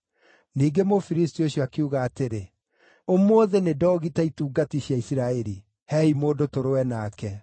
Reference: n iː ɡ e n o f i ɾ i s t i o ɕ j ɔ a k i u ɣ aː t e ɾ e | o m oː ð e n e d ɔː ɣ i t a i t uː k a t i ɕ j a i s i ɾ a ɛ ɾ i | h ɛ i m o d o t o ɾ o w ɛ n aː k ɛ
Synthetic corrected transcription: n iː ɡ e m o f i ɾ i s t i o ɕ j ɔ a k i u ɣ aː t e ɾ e | o m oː ð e n e d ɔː ɣ i t a i t uː ɡ a t i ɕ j a i s i ɾ a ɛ ɾ i | h ɛ i m o d o t o ɾ o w ɛ n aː k ɛ